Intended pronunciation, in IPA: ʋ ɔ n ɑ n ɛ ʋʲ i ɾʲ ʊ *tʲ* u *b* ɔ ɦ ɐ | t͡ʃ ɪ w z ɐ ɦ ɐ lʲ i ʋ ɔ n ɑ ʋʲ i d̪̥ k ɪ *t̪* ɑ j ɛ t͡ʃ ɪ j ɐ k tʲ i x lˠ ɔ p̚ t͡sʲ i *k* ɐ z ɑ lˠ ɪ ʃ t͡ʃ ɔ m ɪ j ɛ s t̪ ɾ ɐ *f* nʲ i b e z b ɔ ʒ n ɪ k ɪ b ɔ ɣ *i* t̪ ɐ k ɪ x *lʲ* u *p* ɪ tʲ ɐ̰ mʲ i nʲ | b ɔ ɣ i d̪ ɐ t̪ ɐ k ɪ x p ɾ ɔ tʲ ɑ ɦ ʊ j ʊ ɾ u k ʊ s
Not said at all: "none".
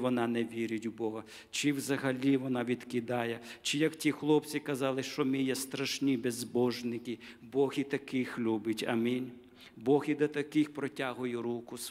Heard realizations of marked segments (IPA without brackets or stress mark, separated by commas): tʲ, b, d̪, k, ʃ, i, lʲ, b